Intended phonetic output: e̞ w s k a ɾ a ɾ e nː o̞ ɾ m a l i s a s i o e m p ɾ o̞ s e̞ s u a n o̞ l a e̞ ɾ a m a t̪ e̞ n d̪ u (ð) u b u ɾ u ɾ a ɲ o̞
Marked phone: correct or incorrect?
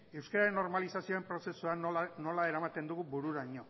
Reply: incorrect: ɣ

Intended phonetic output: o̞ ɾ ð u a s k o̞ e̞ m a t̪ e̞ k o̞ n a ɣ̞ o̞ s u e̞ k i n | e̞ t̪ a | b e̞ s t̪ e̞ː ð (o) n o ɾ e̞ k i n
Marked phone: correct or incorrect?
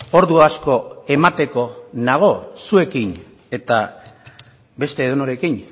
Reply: correct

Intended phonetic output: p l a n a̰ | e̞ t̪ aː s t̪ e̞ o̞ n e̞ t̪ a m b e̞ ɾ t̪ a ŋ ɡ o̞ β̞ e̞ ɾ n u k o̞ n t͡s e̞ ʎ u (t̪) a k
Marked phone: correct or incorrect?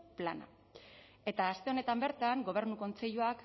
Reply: incorrect: none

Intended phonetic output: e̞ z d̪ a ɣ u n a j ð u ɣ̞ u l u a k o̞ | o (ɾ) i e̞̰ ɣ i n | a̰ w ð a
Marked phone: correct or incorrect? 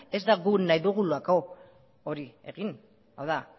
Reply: correct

